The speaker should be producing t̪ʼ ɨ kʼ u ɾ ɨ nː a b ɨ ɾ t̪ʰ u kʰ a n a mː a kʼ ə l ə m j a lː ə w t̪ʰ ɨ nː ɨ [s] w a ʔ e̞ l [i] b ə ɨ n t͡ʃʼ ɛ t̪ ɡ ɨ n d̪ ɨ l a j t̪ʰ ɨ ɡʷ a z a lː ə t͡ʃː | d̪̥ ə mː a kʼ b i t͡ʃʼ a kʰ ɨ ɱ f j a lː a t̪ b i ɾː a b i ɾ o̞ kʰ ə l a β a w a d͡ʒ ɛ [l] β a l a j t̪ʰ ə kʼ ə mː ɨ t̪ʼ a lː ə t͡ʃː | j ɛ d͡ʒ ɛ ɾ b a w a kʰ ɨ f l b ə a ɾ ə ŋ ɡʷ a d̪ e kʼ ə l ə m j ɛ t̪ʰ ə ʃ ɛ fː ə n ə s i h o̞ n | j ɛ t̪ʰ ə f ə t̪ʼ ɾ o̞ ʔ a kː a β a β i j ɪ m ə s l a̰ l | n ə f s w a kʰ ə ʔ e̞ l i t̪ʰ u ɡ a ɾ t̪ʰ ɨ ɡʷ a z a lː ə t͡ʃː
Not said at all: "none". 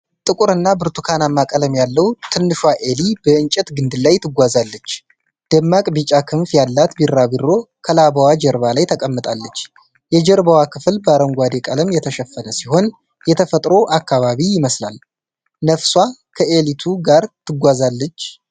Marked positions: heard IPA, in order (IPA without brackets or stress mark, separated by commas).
ʃ, i, ɾ